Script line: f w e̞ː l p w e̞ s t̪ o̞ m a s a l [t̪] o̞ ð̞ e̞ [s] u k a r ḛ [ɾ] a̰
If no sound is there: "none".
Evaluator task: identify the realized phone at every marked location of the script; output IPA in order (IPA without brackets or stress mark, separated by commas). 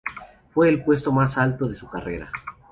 t̪, s, ɾ